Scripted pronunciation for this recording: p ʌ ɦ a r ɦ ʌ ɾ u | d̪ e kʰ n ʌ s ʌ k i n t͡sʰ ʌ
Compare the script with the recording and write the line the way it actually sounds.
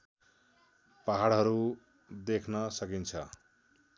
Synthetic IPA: p a ɦ a ɽ ɦ ʌ ɾ u | d̪ e kʰ n ʌ s ʌ k i n t͡sʰ ʌ